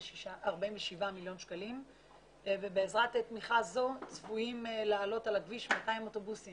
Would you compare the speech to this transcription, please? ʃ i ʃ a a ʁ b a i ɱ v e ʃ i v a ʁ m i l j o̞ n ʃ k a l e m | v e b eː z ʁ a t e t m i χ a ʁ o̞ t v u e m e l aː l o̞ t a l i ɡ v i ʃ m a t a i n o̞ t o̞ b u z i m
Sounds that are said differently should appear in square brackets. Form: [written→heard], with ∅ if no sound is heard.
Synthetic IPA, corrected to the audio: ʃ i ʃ a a ʁ b a i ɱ v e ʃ i v a [ʁ→∅] m i l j o̞ n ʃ k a l [e→i] m | v e b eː z ʁ a t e t m i χ a [ʁ→z] o̞ [t→t͡s] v u [e→i] m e l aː l o̞ t a l [i→a] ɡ v i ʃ m a t a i [n→m] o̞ t o̞ b u [z→s] i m